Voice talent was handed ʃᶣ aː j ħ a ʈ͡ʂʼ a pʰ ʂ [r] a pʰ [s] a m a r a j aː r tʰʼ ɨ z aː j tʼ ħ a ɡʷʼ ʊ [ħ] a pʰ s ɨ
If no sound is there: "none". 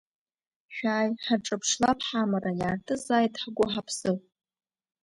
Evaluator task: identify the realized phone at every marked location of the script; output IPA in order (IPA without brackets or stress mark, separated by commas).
l, ħ, ħ